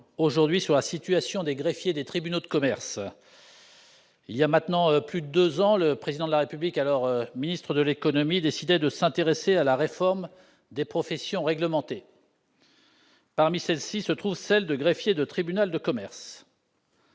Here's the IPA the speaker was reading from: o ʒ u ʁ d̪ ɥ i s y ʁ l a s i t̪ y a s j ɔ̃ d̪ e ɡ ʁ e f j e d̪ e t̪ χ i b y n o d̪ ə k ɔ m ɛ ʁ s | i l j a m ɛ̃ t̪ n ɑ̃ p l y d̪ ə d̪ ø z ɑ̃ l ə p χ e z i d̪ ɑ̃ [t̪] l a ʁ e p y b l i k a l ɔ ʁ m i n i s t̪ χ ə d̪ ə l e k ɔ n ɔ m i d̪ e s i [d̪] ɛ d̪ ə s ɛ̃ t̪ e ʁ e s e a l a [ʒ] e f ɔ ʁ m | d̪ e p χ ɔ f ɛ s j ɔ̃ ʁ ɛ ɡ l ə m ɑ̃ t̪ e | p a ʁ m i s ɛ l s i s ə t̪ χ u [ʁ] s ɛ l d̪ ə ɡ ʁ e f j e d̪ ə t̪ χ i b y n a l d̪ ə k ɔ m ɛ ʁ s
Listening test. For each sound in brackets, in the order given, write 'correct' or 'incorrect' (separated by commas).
incorrect, correct, incorrect, incorrect